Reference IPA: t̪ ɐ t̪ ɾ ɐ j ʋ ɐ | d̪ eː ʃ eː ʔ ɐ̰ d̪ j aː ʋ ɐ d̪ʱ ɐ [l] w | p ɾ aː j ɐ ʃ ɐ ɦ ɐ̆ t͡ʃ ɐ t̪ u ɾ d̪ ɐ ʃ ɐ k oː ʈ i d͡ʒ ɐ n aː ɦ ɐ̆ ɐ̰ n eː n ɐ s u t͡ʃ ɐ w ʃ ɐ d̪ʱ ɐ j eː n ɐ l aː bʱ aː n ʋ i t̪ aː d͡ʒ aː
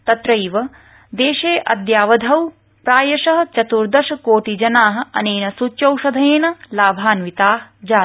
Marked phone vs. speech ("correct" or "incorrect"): incorrect